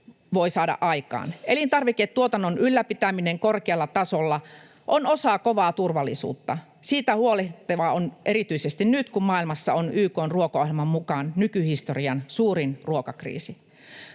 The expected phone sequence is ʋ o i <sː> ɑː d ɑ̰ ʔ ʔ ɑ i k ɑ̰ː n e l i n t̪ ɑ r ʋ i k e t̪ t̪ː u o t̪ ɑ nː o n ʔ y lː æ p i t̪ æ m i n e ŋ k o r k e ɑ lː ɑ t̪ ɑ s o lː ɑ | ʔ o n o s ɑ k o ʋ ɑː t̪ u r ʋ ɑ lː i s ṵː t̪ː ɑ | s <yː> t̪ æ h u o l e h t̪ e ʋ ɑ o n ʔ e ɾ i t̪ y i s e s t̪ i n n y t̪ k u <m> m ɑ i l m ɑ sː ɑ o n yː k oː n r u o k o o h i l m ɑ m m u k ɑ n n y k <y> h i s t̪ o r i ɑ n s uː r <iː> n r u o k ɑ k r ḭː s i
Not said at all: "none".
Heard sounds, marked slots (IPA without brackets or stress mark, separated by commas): s, iː, m, y, i